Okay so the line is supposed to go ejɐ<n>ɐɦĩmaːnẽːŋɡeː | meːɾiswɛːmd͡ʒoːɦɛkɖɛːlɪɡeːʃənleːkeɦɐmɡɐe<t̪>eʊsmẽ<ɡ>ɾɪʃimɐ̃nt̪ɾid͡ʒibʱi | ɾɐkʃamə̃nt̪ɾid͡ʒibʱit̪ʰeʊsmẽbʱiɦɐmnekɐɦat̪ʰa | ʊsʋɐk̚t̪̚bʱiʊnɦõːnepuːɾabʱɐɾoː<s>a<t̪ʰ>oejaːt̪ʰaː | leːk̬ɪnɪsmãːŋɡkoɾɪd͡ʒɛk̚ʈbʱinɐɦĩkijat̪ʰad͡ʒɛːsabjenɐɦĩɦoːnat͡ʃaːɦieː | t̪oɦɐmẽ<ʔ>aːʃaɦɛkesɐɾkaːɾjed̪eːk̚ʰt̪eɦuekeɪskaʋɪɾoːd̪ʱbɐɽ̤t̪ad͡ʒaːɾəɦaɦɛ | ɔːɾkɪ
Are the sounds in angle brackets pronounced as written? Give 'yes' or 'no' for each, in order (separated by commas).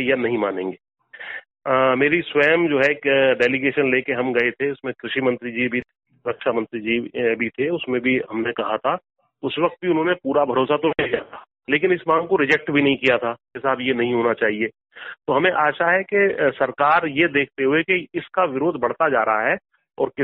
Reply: yes, no, no, yes, no, yes